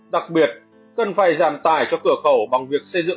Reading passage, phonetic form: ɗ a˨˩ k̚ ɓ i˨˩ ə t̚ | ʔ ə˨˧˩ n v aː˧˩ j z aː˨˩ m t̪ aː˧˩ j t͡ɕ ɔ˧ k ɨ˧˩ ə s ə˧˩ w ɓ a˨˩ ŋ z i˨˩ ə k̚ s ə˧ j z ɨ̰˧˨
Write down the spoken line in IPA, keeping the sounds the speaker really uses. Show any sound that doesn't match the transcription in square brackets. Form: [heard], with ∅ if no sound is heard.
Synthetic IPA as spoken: ɗ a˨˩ k̚ ɓ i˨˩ ə t̚ | [k] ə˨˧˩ n [f] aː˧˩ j z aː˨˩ m t̪ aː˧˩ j t͡ɕ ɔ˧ k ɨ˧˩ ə [x] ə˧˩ w ɓ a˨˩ ŋ [v] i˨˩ ə k̚ s ə˧ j z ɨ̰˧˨